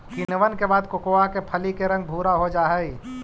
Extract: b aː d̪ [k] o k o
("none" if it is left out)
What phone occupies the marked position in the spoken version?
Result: k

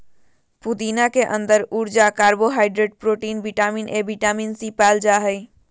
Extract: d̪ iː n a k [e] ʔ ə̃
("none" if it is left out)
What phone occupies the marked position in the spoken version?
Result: e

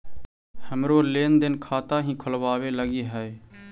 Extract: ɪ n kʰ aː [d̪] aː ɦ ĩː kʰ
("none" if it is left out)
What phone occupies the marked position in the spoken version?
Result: t̪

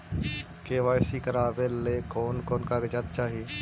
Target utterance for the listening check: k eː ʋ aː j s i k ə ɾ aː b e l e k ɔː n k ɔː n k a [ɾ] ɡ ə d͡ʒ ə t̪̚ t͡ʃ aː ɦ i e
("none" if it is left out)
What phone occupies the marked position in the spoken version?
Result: none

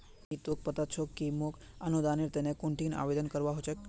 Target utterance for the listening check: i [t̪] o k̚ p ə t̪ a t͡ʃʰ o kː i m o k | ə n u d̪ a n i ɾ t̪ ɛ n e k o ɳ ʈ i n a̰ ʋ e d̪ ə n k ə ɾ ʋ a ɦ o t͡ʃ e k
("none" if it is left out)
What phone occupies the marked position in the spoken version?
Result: t̪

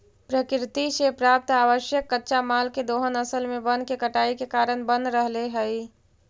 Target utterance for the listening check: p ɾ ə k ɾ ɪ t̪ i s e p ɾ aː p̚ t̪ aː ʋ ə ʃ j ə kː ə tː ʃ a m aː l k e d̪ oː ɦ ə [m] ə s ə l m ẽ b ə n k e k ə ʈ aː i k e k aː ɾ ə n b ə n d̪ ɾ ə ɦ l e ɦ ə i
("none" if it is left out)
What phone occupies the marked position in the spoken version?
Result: n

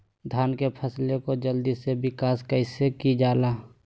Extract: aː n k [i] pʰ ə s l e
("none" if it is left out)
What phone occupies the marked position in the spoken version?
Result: e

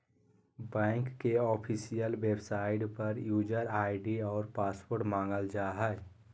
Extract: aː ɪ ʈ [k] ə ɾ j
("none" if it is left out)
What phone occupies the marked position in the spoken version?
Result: p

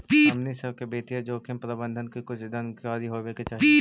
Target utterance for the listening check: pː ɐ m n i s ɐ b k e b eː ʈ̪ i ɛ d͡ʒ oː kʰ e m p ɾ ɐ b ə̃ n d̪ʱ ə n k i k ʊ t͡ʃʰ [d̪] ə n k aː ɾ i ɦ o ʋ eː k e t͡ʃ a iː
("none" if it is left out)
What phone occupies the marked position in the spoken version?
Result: d̪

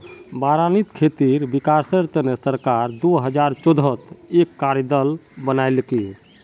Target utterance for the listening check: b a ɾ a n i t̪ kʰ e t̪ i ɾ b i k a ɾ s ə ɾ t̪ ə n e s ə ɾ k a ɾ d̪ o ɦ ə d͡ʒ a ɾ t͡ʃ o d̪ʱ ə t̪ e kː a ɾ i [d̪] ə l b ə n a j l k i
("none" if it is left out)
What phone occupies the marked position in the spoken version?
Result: d̪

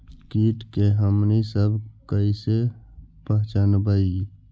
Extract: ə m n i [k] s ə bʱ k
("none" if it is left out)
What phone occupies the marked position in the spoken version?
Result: none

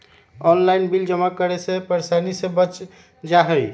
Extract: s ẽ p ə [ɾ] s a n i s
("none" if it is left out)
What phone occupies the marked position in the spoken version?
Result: ɾ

